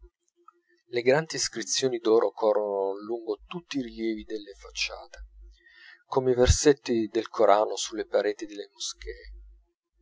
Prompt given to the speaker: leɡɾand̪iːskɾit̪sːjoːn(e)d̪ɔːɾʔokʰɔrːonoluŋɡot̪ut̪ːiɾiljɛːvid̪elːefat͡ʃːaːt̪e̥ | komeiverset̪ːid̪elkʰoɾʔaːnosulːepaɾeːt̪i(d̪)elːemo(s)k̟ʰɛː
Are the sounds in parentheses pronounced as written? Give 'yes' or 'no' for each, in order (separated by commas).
no, yes, yes